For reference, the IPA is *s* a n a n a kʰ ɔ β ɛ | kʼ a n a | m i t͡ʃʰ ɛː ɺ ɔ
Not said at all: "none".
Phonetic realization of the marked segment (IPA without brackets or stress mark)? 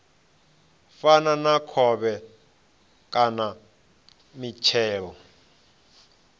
f